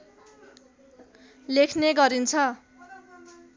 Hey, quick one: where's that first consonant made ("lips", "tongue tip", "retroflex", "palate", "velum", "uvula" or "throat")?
tongue tip